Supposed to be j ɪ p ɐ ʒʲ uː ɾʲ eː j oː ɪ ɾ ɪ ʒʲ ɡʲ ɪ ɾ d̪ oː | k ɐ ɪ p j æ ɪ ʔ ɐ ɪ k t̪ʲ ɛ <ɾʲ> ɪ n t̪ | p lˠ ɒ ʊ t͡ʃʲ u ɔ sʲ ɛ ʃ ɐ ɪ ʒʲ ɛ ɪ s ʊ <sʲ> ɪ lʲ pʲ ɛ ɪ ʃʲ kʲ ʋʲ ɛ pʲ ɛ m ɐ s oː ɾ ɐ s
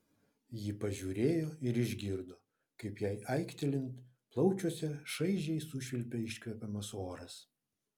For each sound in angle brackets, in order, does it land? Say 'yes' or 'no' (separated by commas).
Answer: no, no